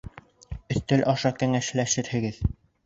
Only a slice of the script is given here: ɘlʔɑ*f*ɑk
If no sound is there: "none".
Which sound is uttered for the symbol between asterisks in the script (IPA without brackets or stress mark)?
ʃ